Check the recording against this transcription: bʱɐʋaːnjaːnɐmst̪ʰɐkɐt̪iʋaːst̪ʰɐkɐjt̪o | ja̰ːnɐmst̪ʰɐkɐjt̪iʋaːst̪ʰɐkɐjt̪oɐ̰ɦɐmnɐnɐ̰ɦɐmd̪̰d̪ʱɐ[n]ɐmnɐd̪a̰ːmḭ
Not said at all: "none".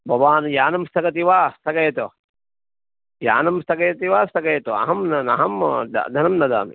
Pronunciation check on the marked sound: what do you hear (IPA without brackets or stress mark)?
n